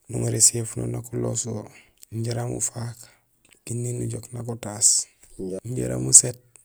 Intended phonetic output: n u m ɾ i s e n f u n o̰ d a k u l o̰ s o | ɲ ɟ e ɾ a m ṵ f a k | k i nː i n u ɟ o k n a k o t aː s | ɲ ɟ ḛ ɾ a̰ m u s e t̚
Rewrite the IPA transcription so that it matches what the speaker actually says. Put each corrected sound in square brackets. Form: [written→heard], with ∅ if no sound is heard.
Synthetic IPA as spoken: n u [m→ŋ] ɾ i s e [n→∅] f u n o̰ [d→n] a k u l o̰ s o | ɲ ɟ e ɾ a m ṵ f a k | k i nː i n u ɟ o k n a k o t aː s | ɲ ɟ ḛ ɾ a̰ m u s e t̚